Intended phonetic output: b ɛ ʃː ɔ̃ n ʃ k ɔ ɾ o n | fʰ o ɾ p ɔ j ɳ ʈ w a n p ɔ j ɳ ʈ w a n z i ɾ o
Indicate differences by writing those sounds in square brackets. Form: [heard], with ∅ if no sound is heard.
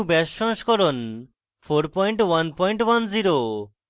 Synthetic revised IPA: b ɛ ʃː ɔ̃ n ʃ k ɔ ɾ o n | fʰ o ɾ p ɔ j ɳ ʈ w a n p ɔ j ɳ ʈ w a n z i ɾ o

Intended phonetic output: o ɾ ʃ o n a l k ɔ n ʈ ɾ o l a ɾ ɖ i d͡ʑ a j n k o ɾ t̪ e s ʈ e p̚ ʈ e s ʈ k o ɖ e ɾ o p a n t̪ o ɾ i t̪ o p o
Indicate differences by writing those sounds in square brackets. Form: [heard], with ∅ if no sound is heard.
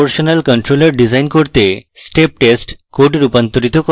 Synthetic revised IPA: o ɾ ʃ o n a l k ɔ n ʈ ɾ o l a ɾ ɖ i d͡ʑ a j n k o ɾ t̪ e s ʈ e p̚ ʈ e s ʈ k o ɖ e ɾ [u] p a n t̪ o ɾ i t̪ o [k] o

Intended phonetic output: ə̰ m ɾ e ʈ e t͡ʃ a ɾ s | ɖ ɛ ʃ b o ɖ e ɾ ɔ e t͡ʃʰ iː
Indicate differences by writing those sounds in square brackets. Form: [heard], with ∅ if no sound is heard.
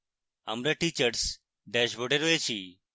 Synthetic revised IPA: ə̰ m ɾ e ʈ [i] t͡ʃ [ə] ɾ s | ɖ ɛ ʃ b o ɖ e ɾ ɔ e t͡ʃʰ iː

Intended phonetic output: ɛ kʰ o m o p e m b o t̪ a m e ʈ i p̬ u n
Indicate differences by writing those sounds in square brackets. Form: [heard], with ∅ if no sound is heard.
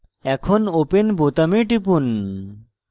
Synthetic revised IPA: ɛ kʰ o [n] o p e [n] b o t̪ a m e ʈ i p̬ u n

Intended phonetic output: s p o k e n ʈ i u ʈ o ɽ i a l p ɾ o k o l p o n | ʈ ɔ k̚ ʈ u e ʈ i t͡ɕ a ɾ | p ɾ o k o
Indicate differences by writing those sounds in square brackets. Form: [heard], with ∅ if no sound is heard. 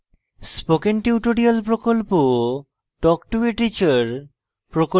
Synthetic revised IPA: s p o k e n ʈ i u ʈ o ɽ i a l p ɾ o k o l p o [∅] | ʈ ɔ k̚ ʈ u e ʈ i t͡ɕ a ɾ | p ɾ o k o

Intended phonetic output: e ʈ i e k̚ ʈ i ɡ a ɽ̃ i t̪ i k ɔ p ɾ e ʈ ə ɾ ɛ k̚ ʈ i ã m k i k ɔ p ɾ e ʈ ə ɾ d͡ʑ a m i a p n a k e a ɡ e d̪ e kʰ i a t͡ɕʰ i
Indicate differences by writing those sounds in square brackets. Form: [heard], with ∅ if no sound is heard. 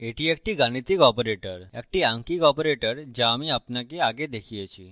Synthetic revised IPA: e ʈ i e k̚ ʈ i ɡ a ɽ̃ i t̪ i k ɔ p ɾ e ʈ ə ɾ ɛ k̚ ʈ i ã [ŋ] k i k ɔ p ɾ e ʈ ə ɾ d͡ʑ a m i a p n a k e a ɡ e d̪ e kʰ i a [t͡ɕ] i

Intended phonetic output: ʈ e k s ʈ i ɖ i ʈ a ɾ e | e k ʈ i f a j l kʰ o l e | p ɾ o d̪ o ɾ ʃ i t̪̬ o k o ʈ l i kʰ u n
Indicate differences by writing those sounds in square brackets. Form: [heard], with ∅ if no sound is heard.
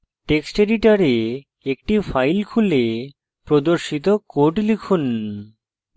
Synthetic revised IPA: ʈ e k s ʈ [e] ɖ i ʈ a ɾ e | e k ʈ i f a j l kʰ [u] l e | p ɾ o d̪ o ɾ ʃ i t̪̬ o k o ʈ l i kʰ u n

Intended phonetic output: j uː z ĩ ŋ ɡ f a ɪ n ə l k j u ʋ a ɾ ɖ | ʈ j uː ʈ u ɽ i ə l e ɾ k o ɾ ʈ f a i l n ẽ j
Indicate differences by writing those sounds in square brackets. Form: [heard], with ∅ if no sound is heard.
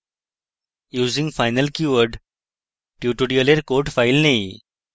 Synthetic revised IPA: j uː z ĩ ŋ ɡ f a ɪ n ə l k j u ʋ [ə] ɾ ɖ | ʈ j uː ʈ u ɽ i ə l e ɾ k o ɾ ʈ f a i l n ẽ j

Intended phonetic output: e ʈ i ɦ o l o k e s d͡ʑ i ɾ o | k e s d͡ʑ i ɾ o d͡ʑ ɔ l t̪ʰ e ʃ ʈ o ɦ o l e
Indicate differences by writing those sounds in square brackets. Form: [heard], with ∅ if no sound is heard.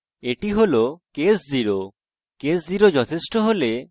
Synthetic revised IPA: e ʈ i ɦ o l o k e s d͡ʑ i ɾ o | k e s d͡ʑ i ɾ o d͡ʑ ɔ [∅] t̪ʰ e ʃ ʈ o ɦ o l e

